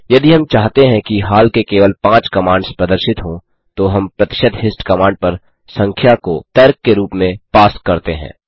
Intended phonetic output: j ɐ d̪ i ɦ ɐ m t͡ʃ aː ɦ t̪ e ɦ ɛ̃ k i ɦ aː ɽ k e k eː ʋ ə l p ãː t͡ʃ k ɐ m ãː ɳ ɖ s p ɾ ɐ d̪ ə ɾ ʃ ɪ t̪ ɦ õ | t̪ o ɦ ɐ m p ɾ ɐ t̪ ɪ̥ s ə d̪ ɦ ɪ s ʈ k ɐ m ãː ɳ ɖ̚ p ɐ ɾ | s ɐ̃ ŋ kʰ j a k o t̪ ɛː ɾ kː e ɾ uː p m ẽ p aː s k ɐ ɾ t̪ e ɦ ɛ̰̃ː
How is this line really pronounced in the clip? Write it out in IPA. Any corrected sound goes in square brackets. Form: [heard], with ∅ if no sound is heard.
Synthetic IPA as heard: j ɐ d̪ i ɦ ɐ m t͡ʃ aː ɦ t̪ e ɦ ɛ̃ k i ɦ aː [l] k e k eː ʋ ə l p ãː t͡ʃ k ɐ m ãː ɳ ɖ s p ɾ ɐ d̪ ə ɾ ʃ ɪ t̪ ɦ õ | t̪ o ɦ ɐ m p ɾ ɐ t̪ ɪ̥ [ʃ] ə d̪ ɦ ɪ s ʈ k ɐ m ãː ɳ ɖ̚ p ɐ ɾ | s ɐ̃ ŋ kʰ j a k o t̪ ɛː ɾ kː e ɾ uː p m ẽ p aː s k ɐ ɾ t̪ e ɦ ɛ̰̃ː

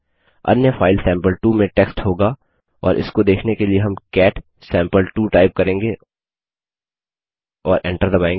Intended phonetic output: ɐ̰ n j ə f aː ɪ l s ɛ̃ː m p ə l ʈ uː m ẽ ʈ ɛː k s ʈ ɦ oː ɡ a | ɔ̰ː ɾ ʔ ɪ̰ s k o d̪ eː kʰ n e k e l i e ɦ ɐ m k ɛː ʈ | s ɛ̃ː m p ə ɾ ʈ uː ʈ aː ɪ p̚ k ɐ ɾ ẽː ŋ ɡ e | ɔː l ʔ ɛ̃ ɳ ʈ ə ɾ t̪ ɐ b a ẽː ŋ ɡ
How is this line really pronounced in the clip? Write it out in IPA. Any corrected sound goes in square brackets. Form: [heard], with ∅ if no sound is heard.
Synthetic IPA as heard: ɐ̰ n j ə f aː ɪ l s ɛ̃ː m p ə l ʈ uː m ẽ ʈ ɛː k s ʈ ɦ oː ɡ a | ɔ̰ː ɾ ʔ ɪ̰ s k o d̪ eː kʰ n e k e l i e ɦ ɐ m k ɛː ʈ | s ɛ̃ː m p ə [l] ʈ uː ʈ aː ɪ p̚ k ɐ ɾ ẽː ŋ ɡ e | ɔː [ɾ] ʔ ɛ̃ ɳ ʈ ə ɾ [d̪] ɐ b a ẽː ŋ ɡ

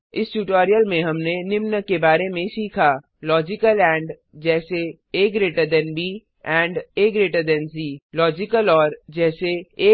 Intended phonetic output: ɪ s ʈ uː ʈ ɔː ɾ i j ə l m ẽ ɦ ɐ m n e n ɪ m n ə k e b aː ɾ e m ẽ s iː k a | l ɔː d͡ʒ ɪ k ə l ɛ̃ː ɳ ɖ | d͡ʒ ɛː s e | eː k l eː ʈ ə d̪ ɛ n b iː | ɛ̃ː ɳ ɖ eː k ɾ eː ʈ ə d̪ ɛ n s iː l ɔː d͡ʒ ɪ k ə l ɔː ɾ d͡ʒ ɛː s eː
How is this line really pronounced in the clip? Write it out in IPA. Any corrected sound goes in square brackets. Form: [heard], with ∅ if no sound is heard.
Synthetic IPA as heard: ɪ s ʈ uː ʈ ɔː ɾ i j ə l m ẽ ɦ ɐ m n e n ɪ m n ə k e b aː ɾ e m ẽ s iː [kʰ] a | l ɔː d͡ʒ ɪ k ə l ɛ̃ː ɳ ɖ | d͡ʒ ɛː s e | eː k [ɾ] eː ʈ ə d̪ ɛ n b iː | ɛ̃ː ɳ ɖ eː k ɾ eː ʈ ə d̪ ɛ n s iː l ɔː d͡ʒ ɪ k ə l ɔː ɾ d͡ʒ ɛː s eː

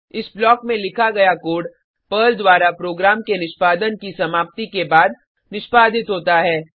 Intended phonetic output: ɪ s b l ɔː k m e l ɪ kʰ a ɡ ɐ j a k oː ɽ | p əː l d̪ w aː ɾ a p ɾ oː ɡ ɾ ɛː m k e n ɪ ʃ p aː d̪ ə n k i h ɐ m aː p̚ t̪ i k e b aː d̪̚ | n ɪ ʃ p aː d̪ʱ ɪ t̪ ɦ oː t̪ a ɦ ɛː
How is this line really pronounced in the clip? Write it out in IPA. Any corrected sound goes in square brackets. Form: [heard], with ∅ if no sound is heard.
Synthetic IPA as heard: ɪ s b l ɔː k m [ẽ] l ɪ kʰ a ɡ ɐ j a k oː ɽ | p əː l d̪ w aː ɾ a p ɾ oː ɡ ɾ [aː] m k e n ɪ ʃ p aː d̪ ə n k i [s] ɐ m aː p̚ t̪ i k e b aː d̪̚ | n ɪ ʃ p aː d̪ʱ ɪ t̪ ɦ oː t̪ a ɦ ɛː

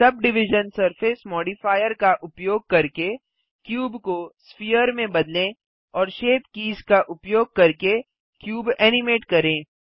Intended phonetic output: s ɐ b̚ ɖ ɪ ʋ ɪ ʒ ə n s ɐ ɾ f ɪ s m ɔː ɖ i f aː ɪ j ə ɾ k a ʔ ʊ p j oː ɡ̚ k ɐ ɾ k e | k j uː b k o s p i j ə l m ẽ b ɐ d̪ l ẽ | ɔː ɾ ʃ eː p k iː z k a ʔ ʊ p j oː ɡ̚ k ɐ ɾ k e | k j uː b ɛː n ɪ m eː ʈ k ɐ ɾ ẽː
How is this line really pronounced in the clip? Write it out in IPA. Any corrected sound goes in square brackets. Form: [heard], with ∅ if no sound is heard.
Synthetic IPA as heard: s ɐ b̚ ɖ ɪ ʋ ɪ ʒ ə n s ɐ ɾ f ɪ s m ɔː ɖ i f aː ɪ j ə ɾ k a ʔ ʊ p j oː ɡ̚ k ɐ ɾ k e | k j uː b k o s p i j ə [ɾ] m ẽ b ɐ d̪ l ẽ | ɔː ɾ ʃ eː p k iː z k a ʔ ʊ p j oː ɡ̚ k ɐ ɾ k e | k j uː b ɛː n ɪ m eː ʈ k ɐ ɾ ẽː

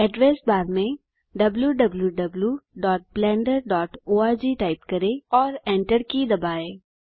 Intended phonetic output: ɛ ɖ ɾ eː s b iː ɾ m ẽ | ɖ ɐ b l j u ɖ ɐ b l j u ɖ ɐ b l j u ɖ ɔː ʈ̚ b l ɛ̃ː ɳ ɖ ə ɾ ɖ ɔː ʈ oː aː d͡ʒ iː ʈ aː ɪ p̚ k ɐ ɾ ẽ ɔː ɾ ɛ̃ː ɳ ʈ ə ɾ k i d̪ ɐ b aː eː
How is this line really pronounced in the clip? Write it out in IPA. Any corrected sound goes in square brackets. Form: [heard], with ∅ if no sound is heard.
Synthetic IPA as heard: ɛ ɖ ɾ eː s b [aː] ɾ m ẽ | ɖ ɐ b l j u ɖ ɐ b l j u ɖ ɐ b l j u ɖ ɔː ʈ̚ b l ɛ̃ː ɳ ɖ ə ɾ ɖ ɔː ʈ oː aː d͡ʒ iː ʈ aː ɪ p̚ k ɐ ɾ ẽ ɔː ɾ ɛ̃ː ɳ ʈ ə ɾ k i d̪ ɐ b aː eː

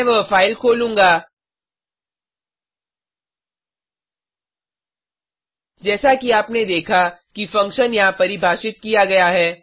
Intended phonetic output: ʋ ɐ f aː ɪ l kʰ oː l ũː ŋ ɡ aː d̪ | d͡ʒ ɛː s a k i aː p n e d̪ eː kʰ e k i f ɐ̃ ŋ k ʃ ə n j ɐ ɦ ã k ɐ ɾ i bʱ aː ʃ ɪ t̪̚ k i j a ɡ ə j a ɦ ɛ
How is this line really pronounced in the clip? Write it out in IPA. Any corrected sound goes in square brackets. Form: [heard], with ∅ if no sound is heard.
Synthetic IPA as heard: ʋ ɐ f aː ɪ l kʰ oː l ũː ŋ ɡ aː [∅] | d͡ʒ ɛː s a k i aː p n e d̪ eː kʰ [a] k i f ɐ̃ ŋ k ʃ ə n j ɐ ɦ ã [p] ɐ ɾ i bʱ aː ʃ ɪ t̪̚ k i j a ɡ [ɐ] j a ɦ [ɛː]

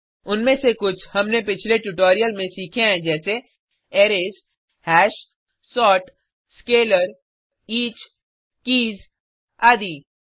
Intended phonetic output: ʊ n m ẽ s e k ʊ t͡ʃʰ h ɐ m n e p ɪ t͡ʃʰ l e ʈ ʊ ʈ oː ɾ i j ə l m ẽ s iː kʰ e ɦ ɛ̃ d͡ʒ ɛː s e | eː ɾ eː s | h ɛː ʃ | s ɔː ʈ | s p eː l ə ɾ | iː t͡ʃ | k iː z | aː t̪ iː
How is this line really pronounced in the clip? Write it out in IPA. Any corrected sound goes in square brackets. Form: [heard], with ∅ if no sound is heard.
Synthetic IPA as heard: ʊ n m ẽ s e k ʊ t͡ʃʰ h ɐ m n e p ɪ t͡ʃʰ l e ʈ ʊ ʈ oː ɾ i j ə l m ẽ s iː kʰ e ɦ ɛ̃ d͡ʒ ɛː s e | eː ɾ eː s | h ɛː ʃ | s ɔː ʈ | s [k] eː l ə ɾ | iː t͡ʃ | k iː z | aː [d̪] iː

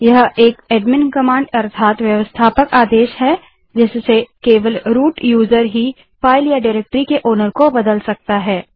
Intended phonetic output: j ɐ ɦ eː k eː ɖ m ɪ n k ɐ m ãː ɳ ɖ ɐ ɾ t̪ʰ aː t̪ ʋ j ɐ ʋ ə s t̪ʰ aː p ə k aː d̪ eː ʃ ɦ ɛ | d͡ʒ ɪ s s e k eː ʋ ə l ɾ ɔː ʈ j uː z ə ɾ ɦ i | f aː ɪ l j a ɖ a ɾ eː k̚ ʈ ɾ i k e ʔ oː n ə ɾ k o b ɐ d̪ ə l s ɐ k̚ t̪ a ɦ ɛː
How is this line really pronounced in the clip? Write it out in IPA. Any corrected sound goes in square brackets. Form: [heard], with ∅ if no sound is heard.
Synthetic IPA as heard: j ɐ ɦ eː k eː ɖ m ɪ n k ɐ m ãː ɳ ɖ ɐ ɾ t̪ʰ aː t̪ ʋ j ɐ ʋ ə s t̪ʰ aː p ə k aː d̪ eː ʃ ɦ ɛ | d͡ʒ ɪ s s e k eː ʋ ə l ɾ [uː] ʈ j uː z ə ɾ ɦ i | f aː ɪ l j a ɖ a ɾ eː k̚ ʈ ɾ i k e ʔ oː n ə ɾ k o b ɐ d̪ ə l s ɐ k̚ t̪ a ɦ ɛː

